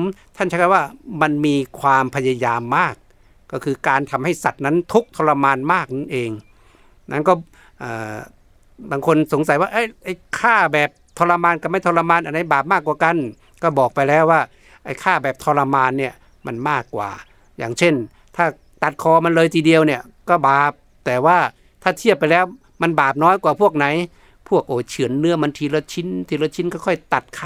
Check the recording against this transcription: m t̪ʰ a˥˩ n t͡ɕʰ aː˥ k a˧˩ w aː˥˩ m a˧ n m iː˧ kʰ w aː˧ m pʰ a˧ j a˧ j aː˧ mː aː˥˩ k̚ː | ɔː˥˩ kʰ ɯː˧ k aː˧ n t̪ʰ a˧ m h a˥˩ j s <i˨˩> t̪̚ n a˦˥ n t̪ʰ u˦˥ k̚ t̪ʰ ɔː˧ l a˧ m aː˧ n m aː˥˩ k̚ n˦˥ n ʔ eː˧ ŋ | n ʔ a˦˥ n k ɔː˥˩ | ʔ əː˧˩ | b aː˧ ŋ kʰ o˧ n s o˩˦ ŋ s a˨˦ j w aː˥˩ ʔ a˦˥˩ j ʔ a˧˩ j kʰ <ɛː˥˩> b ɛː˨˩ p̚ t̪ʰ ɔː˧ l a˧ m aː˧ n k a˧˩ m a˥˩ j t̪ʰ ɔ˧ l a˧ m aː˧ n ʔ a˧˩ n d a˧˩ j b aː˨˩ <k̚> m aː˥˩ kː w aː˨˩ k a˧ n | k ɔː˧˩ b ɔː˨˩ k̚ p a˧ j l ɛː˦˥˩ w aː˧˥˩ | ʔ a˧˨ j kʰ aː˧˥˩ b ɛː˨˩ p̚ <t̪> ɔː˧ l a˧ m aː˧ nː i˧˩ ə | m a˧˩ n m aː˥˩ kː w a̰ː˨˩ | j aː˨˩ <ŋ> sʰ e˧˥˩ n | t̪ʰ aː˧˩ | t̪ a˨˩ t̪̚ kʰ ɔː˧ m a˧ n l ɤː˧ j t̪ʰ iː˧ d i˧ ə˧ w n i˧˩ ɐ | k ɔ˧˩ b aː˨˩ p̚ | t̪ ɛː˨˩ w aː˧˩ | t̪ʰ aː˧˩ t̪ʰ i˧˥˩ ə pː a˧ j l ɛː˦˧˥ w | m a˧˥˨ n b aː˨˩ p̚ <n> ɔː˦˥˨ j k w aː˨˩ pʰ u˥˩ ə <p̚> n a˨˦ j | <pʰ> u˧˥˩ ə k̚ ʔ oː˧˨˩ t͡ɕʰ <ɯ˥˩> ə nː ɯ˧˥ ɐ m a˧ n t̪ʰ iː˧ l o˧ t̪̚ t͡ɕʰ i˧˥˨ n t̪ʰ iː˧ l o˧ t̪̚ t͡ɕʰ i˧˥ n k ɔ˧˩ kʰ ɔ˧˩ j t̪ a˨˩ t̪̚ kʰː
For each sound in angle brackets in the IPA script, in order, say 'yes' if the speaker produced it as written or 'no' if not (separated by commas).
no, no, no, no, yes, yes, no, yes, no